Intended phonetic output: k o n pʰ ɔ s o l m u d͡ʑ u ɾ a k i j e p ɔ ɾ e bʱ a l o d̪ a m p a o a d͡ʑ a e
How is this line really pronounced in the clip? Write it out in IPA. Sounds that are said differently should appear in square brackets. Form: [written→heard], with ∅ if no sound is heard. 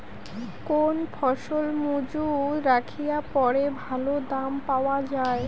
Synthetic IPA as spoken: k o n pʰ ɔ [s→ʃ] o l m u d͡ʑ u ɾ a [k→kʰ] i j [e→a] p ɔ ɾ e bʱ a l o d̪ a m p a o a d͡ʑ a e